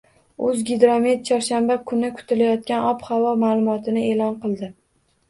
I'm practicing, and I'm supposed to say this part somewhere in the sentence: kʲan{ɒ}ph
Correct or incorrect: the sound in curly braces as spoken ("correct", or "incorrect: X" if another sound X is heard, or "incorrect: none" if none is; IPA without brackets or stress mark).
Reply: correct